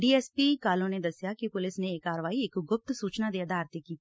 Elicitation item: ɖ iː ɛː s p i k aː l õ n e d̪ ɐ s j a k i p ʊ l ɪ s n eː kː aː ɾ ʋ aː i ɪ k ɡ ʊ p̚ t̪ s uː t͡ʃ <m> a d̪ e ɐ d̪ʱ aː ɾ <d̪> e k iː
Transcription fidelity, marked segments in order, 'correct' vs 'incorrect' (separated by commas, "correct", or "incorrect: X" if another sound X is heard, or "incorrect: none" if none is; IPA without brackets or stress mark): incorrect: n, incorrect: t̪